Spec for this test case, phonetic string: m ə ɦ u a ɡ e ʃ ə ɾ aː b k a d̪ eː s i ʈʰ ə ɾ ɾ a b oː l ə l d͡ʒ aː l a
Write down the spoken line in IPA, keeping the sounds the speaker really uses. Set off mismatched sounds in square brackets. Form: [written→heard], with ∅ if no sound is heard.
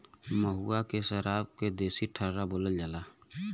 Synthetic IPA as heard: m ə ɦ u a [ɡ→k] e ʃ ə ɾ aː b k [a→e] d̪ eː s i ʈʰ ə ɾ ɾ a b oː l ə l d͡ʒ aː l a